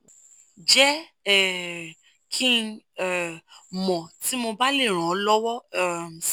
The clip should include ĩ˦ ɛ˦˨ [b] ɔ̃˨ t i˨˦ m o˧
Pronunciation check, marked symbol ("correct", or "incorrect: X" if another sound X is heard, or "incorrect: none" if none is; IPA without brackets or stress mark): incorrect: m